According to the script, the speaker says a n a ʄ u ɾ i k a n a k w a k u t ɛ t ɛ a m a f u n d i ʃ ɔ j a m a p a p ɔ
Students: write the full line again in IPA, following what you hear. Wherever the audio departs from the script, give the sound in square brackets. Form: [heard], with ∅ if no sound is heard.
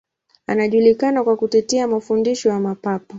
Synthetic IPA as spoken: a n a ʄ u [l] i k a n a k w a k u t ɛ t ɛ a m a f u n d i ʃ ɔ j a m a p a p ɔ